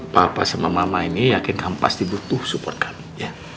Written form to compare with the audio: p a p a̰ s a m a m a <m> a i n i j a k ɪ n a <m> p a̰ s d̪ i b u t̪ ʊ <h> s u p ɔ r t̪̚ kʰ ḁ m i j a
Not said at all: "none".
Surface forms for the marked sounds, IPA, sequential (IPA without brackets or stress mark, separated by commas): m, m, h